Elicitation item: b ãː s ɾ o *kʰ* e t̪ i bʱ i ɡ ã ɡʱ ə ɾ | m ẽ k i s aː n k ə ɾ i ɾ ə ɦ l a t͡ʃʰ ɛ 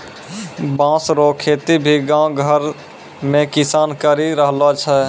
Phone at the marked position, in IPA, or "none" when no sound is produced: kʰ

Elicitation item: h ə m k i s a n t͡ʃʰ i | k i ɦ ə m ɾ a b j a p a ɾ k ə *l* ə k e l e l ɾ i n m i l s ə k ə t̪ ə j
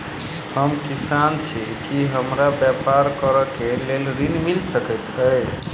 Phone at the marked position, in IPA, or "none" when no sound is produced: ɾ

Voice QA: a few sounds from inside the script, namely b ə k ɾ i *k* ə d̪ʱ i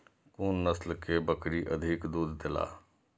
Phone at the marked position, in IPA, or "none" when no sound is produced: ʔ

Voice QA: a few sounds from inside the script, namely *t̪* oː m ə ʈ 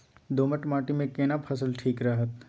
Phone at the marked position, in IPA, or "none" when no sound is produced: d̪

